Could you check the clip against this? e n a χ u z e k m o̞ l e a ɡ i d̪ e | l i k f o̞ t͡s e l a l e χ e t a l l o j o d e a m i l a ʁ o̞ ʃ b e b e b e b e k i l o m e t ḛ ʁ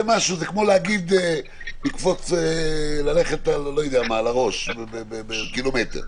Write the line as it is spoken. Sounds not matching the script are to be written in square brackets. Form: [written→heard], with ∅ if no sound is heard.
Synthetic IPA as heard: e [n→m] a [χ→ʃ] u z e k m o̞ l e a ɡ i d̪ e | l i k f o̞ t͡s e l a l e χ e t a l l o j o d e a m [i→a] l a ʁ o̞ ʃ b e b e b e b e k i l o m e t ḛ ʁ

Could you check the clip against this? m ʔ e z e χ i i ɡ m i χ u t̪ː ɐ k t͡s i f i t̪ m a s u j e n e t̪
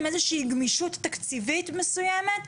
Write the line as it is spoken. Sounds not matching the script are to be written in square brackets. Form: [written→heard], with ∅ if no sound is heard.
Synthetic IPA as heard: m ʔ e z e [χ→ʃ] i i ɡ m i [χ→ʃ] u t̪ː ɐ k t͡s i [f→v] i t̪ m [a→e] s u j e [n→m] e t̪

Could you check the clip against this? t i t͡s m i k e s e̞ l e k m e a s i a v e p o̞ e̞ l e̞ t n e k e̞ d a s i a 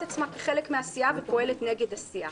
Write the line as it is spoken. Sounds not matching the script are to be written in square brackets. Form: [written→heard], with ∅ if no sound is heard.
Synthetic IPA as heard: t [i→a] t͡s m [i→a] k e [s→χ] e̞ l e k m e a s i a v e p o̞ e̞ l e̞ t n e [k→ɡ] e̞ d a s i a

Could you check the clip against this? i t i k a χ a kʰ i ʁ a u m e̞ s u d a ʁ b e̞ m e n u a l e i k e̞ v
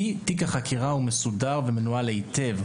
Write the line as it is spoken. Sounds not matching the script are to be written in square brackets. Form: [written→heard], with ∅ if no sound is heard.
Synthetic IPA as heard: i t i k a χ a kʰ i ʁ a u m e̞ s u d a ʁ [b→v] e̞ m e n u a l e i [k→t] e̞ v

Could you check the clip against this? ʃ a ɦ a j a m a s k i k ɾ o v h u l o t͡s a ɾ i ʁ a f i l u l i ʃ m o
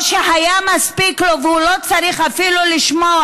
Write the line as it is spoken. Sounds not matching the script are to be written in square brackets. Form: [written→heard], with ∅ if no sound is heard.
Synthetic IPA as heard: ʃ [a→e] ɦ a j a m a s [k→p] i k [ɾ→l] o v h u l o t͡s a ɾ i [ʁ→χ] a f i l u l i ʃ m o

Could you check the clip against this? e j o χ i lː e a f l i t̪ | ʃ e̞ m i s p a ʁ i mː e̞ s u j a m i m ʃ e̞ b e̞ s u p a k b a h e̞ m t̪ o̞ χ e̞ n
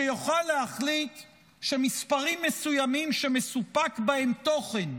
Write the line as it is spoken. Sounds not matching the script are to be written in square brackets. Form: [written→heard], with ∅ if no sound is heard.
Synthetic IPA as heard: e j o χ [i→a] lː e a [f→χ] l i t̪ | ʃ e̞ m i s p a ʁ i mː e̞ s u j a m i m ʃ e̞ [b→m] e̞ s u p a k b a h e̞ m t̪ o̞ χ e̞ n

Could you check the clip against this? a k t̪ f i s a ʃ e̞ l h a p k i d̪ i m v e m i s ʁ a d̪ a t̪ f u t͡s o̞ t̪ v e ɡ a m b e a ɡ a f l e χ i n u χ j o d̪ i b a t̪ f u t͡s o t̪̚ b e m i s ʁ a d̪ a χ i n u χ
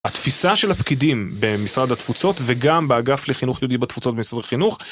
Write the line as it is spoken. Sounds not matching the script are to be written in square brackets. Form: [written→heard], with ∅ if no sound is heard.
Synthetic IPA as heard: a [k→∅] t̪ f i s a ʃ e̞ l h a p k i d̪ i m [v→b] e m i s ʁ a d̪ a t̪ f u t͡s o̞ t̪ v e ɡ a m b e a ɡ a f l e χ i n u χ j o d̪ i b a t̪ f u t͡s o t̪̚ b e m i s ʁ a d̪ a χ i n u χ

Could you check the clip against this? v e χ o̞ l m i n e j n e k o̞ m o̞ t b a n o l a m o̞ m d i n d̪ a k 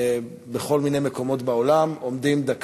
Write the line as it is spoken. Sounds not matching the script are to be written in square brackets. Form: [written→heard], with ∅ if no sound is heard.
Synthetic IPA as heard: [v→b] e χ o̞ l m i n e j [n→m] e k o̞ m o̞ t b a [n→∅] o l a m o̞ m d i [n→m] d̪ a k

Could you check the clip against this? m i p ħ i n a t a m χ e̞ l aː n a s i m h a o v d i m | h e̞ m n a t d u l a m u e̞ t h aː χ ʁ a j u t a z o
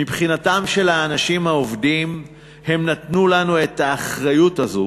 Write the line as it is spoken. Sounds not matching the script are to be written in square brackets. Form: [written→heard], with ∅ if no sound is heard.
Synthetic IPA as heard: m i p [ħ→χ] i n a t a m [χ→ʃ] e̞ l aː n a [s→ʃ] i m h a o v d i m | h e̞ m n a t [d→n] u l a [m→n] u e̞ t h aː χ ʁ a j u t a z o

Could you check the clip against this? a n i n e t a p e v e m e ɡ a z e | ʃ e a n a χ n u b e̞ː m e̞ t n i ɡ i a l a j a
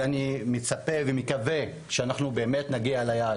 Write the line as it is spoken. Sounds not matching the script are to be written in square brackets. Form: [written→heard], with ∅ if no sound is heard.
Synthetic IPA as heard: a n i [n→m] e [t→t͡s] a p e v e m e [ɡ→k] a [z→v] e | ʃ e a n a χ n u b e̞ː m e̞ t n [i→a] ɡ i a l a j a

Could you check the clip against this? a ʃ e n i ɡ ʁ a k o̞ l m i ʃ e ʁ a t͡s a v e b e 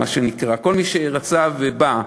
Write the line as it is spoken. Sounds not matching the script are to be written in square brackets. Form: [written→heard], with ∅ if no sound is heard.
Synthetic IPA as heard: a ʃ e n i [ɡ→k] ʁ a k o̞ l m i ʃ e ʁ a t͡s a v e b [e→a]

